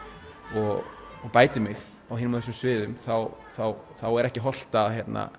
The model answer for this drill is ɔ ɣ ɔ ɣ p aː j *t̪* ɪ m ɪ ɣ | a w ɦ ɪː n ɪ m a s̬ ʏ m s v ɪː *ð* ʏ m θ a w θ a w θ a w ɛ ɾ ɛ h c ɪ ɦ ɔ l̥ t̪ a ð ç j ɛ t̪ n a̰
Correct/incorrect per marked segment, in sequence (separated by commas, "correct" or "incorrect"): correct, correct